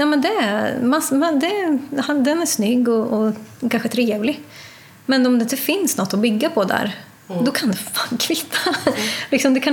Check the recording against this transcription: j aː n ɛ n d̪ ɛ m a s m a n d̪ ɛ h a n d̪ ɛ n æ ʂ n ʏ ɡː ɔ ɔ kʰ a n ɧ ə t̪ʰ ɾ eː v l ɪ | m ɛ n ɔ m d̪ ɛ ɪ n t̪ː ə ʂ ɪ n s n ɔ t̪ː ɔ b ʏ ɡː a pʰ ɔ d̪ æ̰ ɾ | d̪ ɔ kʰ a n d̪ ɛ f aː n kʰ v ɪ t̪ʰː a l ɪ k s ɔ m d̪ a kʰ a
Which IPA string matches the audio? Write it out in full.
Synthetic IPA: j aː m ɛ n d̪ ɛ m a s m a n d̪ ɛ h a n d̪ ɛ n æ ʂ n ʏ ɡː ɔ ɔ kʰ a n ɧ ə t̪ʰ ɾ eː v l ɪ | m ɛ n ɔ m d̪ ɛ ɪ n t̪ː ə f ɪ n s n ɔ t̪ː ɔ b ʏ ɡː a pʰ ɔ d̪ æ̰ ɾ | d̪ ɔ kʰ a n d̪ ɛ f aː n kʰ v ɪ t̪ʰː a l ɪ k s ɔ m d̪ ɛ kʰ a